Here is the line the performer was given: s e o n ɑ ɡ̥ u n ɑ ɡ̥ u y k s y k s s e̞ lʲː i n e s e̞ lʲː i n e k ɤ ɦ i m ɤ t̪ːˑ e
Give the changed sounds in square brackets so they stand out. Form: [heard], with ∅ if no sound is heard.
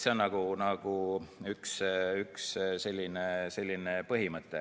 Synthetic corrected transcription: s e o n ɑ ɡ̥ u n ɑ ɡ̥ u y k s y k s s e̞ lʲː i n e s e̞ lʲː i n e [p] ɤ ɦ i m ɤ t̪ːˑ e